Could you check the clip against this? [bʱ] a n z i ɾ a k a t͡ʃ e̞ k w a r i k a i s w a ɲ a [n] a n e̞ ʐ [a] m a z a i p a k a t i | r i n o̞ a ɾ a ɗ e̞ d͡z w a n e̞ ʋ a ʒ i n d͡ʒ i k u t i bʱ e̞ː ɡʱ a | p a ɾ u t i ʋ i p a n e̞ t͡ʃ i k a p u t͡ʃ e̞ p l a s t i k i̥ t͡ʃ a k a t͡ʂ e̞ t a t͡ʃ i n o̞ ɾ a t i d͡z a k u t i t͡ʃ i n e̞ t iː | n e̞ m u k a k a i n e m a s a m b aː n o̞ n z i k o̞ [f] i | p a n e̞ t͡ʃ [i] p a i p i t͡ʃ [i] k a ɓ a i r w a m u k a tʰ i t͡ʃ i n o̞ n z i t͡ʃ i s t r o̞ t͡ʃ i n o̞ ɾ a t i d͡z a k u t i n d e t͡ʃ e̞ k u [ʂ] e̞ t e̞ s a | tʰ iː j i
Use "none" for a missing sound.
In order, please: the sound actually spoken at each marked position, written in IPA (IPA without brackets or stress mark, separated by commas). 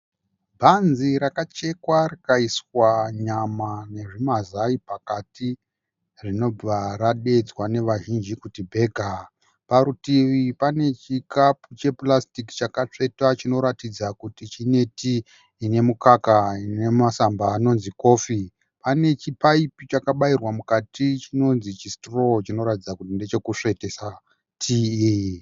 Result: bʱ, m, i, f, i, a, ʂ